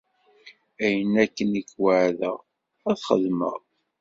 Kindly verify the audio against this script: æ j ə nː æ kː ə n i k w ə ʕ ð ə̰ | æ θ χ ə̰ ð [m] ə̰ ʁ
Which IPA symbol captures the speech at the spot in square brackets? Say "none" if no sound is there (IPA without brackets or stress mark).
m